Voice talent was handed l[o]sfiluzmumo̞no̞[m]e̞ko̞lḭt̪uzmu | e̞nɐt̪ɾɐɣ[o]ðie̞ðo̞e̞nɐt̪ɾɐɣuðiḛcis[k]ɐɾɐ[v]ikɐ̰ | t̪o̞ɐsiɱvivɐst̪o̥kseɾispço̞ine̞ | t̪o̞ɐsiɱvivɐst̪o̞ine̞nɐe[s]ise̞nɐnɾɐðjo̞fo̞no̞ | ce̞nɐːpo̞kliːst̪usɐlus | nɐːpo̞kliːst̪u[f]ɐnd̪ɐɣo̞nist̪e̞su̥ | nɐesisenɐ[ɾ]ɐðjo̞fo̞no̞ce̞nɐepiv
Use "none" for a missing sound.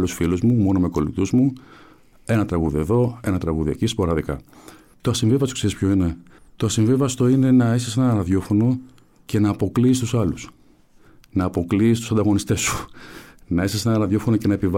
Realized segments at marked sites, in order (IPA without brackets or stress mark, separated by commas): u, m, u, p, ð, s, s, ɾ